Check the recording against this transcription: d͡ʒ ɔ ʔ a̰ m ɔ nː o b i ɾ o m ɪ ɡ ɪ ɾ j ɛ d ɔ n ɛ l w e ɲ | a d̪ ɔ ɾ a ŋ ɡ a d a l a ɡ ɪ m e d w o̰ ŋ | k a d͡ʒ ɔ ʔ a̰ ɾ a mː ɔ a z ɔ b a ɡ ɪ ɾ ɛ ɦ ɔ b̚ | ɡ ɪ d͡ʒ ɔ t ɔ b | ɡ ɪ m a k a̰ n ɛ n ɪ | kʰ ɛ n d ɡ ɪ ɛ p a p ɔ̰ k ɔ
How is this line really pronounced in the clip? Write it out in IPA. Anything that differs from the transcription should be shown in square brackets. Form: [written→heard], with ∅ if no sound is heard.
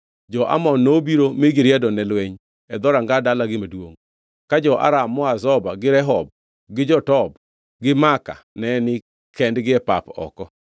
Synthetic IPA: d͡ʒ ɔ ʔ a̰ m ɔ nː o b i ɾ o m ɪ ɡ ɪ ɾ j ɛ d ɔ n ɛ l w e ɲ | [a→ɛ] d̪ ɔ ɾ a ŋ ɡ a d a l a ɡ ɪ m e d w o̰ ŋ | k a d͡ʒ ɔ ʔ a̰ ɾ a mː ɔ a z ɔ b a ɡ ɪ ɾ ɛ ɦ ɔ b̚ | ɡ ɪ d͡ʒ ɔ t ɔ b | ɡ ɪ m a k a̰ n ɛ n ɪ | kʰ ɛ n d ɡ ɪ ɛ p a p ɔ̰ k ɔ